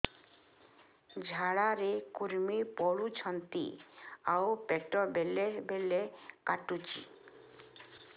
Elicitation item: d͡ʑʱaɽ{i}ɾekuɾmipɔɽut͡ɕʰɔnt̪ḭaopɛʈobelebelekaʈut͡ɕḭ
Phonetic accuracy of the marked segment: incorrect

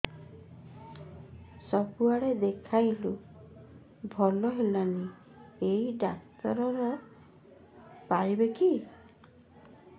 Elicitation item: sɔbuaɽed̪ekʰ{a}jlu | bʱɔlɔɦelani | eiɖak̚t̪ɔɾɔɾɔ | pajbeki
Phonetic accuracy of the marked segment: correct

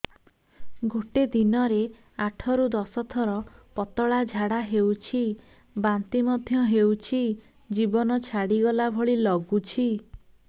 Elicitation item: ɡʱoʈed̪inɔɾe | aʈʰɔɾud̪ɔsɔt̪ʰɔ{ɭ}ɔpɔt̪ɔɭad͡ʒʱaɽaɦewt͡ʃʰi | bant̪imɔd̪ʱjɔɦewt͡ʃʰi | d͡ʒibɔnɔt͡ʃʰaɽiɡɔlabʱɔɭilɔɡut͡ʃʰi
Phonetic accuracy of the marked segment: incorrect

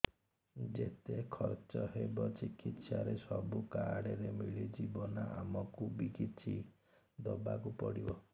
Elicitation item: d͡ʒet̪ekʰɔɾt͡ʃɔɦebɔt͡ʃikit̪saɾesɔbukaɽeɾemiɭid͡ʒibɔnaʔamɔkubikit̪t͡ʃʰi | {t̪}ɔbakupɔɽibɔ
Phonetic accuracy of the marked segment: incorrect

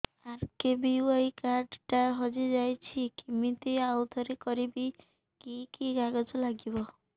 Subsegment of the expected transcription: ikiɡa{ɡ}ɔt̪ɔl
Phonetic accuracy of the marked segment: correct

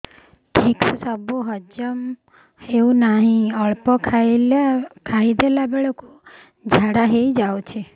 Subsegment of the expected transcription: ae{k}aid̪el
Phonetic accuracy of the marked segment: incorrect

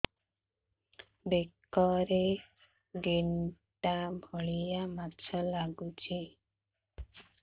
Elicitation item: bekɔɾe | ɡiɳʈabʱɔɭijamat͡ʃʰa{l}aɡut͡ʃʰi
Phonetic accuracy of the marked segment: correct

